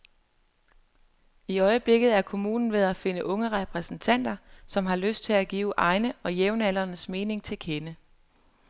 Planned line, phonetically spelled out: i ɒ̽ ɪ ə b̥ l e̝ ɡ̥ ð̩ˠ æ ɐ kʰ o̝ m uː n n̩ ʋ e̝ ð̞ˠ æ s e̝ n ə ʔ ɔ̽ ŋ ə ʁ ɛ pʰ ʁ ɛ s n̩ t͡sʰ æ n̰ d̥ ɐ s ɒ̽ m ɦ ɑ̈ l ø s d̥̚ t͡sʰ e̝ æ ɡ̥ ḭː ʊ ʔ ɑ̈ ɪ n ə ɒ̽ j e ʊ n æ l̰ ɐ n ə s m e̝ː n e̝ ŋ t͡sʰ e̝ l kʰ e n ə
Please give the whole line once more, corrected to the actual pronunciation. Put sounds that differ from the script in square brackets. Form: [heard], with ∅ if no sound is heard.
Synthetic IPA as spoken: i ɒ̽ ɪ ə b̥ l e̝ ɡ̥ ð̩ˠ æ ɐ kʰ o̝ m uː n n̩ ʋ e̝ ð̞ˠ æ [f] e̝ n ə ʔ ɔ̽ ŋ ə ʁ ɛ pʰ ʁ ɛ s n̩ t͡sʰ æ n̰ d̥ ɐ s ɒ̽ m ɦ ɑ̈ l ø s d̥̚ t͡sʰ e̝ æ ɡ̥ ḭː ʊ ʔ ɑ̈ ɪ n ə ɒ̽ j e ʊ n æ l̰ ɐ n ə s m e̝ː n e̝ ŋ t͡sʰ e̝ l kʰ e n ə